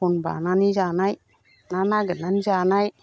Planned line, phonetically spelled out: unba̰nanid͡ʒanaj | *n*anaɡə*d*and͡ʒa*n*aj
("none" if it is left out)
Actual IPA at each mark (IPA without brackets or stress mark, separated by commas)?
n, n, n